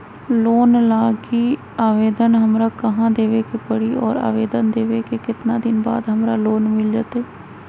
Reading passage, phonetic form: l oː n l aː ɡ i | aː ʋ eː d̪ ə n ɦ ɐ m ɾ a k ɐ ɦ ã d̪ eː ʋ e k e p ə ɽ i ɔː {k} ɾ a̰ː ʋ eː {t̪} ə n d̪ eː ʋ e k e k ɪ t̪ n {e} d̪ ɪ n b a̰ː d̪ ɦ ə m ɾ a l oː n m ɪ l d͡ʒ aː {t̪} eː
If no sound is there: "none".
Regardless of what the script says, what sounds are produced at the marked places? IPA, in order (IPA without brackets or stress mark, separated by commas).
none, d̪, a, t̪